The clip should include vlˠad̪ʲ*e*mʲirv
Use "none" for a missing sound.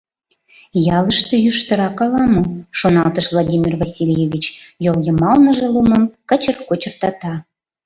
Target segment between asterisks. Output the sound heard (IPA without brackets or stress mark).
i